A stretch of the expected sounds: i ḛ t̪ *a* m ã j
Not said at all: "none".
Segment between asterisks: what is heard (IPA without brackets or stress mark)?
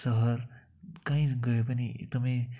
ʌ